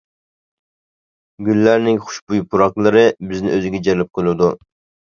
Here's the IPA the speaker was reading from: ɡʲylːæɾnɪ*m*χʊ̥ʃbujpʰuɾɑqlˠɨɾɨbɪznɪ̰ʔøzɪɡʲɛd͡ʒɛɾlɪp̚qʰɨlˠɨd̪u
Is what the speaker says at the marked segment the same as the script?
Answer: no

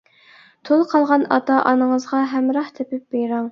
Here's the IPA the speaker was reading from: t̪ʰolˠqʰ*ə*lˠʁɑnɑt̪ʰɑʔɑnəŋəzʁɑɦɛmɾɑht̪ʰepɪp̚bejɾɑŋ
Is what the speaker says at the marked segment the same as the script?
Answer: no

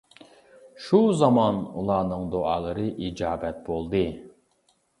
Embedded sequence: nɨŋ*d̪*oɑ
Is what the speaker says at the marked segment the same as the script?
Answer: yes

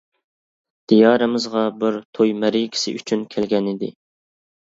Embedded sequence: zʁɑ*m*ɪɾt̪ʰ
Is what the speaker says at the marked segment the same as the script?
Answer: no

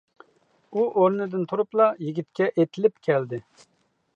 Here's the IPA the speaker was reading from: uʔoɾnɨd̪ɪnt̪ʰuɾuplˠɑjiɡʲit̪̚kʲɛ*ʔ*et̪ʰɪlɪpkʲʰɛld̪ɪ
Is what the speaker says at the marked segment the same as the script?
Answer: yes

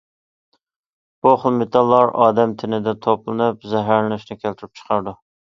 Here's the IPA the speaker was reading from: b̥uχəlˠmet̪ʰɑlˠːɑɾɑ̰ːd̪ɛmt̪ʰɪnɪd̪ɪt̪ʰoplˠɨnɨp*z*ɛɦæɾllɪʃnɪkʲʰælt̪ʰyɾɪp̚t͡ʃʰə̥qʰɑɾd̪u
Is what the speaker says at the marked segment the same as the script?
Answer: yes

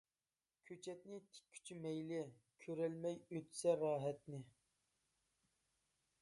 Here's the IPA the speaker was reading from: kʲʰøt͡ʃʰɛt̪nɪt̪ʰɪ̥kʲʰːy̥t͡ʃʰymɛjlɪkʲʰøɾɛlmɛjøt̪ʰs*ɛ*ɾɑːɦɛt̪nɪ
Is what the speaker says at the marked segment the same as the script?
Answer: yes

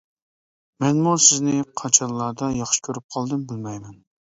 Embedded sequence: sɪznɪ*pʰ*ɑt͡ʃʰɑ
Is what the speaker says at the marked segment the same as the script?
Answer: no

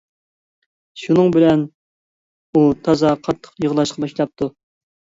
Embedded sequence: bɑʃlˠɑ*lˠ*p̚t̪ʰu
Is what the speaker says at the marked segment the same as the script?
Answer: no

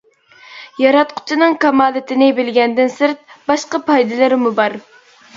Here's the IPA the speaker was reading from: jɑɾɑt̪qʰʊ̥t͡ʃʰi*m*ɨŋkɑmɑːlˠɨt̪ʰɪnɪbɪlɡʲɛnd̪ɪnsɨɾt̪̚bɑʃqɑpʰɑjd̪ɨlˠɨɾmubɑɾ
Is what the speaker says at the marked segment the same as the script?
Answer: no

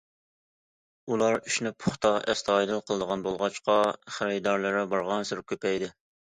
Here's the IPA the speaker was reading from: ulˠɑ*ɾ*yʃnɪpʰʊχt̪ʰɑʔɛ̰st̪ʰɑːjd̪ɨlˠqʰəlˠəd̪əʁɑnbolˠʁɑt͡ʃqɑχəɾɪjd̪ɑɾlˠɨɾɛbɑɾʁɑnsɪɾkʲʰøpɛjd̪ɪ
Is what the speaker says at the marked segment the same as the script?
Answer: yes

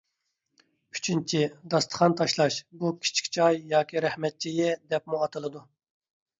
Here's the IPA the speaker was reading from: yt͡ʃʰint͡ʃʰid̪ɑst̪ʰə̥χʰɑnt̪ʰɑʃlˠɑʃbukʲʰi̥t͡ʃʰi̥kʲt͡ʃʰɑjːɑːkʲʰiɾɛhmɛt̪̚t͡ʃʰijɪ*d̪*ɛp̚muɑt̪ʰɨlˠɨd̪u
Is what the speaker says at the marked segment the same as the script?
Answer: yes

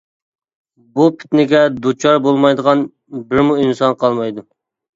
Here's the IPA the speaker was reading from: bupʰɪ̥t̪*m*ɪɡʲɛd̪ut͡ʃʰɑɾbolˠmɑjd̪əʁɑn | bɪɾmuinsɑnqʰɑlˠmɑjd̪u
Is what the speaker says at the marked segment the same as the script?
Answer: no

